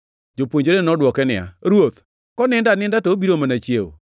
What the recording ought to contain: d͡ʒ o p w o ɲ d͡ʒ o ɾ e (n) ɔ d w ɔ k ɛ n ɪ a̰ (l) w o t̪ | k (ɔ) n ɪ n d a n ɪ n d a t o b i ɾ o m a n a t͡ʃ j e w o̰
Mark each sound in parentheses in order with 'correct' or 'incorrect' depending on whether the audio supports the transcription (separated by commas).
correct, incorrect, correct